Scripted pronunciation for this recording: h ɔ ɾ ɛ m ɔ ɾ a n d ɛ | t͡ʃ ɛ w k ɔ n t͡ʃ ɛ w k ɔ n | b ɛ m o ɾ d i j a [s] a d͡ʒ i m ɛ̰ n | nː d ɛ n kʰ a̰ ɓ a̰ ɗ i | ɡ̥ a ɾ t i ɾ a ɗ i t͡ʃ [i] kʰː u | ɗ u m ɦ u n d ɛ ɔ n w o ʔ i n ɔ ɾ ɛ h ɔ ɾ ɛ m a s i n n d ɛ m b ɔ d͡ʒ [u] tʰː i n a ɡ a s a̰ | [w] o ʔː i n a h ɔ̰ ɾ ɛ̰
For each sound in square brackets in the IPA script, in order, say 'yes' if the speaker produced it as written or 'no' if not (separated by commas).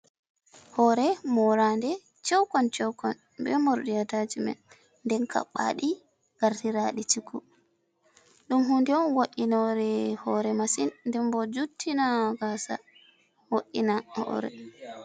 no, yes, yes, yes